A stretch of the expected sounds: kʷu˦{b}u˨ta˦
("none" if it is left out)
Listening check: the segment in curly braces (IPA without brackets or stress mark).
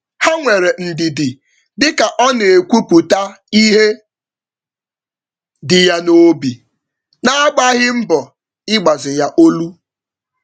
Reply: p